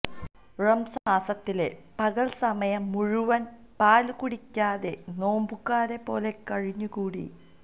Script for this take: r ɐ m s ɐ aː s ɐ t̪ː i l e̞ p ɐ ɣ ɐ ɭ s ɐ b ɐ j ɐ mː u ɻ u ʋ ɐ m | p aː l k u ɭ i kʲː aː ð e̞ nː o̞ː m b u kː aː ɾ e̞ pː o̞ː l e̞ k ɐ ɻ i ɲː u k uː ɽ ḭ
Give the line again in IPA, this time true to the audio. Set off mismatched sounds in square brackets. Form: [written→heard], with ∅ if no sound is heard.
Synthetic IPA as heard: r ɐ m s ɐ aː s ɐ t̪ː i l e̞ p ɐ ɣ ɐ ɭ s ɐ [b→m] ɐ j ɐ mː u ɻ u ʋ ɐ [m→n] | p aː l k u [ɭ→ɽ] i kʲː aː ð e̞ [nː→n] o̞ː m b u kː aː ɾ e̞ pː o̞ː l e̞ k ɐ ɻ i ɲː u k uː ɽ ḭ